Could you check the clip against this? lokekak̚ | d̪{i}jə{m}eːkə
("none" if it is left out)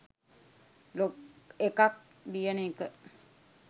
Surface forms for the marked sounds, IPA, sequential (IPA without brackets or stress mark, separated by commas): i, n